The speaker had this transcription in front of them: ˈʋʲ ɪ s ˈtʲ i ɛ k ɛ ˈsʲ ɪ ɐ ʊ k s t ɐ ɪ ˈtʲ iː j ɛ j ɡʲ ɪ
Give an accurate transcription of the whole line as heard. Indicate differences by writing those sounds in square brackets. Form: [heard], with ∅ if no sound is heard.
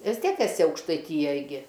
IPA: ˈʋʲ ɪ s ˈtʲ i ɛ k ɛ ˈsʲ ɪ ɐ ʊ k [ʃ] t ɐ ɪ ˈtʲ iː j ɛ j ɡʲ ɪ